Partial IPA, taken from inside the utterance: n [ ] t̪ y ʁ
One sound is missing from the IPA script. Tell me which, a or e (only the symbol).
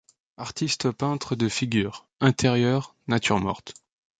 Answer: a